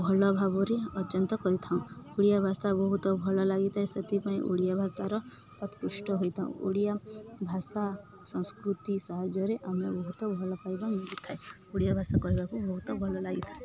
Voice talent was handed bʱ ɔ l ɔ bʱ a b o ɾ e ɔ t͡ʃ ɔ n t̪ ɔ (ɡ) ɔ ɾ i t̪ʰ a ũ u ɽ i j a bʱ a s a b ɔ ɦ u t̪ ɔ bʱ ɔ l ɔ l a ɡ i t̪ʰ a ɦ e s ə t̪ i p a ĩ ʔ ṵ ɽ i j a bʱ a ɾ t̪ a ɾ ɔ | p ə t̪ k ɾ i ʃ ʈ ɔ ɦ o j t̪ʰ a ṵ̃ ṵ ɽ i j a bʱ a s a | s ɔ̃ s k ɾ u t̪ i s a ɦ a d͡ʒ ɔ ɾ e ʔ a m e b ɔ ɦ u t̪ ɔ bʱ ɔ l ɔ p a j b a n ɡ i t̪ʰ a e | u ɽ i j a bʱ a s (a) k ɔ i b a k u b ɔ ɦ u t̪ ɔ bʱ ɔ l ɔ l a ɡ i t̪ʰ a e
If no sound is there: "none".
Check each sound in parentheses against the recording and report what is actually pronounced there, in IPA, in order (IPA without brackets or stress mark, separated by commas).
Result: k, a